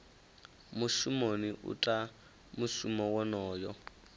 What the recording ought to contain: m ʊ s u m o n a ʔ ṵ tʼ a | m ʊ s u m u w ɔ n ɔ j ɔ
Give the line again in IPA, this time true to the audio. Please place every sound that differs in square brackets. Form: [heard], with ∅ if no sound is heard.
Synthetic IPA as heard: m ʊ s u m o n [i] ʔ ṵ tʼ a | m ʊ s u m [ɔ] w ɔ n [ɔː] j ɔ